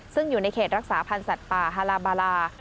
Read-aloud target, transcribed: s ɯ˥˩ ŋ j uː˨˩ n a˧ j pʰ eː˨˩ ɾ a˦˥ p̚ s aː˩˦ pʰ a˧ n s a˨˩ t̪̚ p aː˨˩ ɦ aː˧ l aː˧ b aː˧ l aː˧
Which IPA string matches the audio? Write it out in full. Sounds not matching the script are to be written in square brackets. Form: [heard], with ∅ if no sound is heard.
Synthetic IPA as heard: s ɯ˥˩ ŋ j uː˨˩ n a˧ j [kʰ] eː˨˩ ɾ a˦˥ [k̚] s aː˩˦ pʰ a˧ n s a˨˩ t̪̚ p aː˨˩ ɦ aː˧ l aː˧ b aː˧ l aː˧